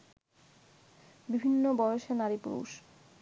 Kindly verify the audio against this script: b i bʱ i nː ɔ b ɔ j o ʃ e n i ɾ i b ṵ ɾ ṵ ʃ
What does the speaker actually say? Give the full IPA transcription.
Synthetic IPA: b i bʱ i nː o b ɔ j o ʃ e n a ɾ i p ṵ ɾ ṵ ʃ